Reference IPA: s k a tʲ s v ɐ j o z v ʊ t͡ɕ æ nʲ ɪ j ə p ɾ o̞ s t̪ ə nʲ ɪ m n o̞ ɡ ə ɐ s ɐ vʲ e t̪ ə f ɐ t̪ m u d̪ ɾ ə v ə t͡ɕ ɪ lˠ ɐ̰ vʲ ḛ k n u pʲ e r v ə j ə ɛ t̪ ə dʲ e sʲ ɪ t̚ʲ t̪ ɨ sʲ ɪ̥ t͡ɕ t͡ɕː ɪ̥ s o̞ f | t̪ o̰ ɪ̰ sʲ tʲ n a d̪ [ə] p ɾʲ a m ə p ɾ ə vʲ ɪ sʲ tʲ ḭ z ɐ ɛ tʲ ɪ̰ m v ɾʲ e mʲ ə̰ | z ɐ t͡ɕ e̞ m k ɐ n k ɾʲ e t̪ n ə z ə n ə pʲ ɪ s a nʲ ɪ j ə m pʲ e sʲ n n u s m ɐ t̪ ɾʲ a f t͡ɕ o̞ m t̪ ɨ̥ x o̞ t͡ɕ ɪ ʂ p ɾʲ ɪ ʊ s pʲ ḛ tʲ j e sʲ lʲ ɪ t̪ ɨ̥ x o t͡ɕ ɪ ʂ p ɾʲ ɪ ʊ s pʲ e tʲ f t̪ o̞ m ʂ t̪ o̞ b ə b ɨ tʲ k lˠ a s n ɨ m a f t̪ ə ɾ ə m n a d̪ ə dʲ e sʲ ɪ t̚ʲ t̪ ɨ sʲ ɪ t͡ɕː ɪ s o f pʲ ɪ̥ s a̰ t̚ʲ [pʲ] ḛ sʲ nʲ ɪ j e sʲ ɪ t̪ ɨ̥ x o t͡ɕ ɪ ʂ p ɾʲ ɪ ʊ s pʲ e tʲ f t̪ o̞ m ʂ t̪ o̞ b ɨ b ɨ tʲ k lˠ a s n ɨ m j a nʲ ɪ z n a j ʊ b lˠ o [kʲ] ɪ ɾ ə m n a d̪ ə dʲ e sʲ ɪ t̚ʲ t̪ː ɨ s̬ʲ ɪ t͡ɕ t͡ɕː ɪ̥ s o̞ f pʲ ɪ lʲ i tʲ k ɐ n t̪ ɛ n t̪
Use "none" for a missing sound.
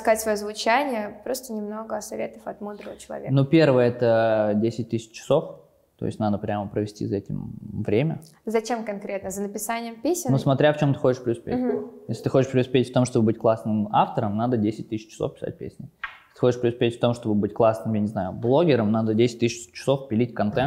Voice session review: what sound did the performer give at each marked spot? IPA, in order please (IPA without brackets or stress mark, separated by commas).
ə, pʲ, ɡʲ